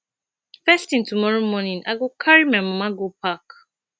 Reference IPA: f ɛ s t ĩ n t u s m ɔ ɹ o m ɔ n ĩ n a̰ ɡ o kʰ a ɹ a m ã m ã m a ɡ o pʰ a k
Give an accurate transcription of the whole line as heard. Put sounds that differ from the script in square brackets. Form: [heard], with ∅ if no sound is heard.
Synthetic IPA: f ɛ s t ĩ n t u [∅] m ɔ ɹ o m ɔ n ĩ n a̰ ɡ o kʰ a ɹ [i] m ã m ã m a ɡ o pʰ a k